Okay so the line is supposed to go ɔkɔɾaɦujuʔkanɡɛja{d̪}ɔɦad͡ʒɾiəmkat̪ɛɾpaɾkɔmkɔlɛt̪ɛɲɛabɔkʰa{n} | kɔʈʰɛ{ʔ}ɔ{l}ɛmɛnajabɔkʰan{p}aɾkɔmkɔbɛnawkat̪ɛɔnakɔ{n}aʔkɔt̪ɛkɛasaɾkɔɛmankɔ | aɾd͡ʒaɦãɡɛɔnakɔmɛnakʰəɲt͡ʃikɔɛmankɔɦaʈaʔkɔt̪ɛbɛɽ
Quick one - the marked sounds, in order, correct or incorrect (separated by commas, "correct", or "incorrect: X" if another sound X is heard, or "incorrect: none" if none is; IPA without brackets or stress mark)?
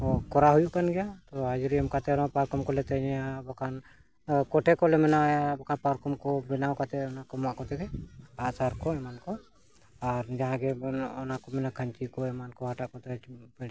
incorrect: t̪, correct, incorrect: k, correct, correct, incorrect: m